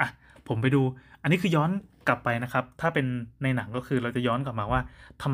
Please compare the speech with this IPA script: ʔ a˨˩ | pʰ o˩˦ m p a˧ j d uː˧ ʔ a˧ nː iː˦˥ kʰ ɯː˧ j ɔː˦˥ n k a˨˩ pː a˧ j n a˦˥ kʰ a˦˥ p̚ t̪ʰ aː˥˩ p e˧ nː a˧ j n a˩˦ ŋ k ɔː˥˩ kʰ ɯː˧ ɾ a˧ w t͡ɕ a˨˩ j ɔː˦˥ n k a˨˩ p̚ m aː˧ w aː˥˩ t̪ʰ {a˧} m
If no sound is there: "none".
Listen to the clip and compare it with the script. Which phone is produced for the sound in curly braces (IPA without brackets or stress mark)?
a˧